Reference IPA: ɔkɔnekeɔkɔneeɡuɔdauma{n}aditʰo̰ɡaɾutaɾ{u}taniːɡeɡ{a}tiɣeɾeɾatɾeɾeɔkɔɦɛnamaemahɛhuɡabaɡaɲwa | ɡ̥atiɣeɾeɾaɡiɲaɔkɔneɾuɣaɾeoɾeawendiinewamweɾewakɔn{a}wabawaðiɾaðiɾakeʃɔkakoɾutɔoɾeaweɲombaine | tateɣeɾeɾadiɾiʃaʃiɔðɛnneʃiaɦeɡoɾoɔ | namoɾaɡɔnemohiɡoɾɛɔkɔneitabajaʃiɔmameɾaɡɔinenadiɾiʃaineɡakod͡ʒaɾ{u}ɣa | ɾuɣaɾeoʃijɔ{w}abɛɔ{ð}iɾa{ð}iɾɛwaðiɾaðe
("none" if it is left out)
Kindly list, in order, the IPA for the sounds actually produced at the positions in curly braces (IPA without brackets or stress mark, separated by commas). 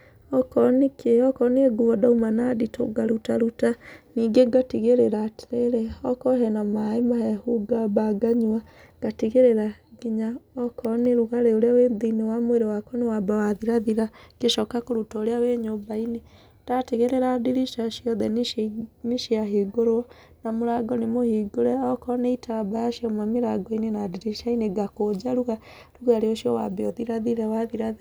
n, u, a, e, u, w, ð, ð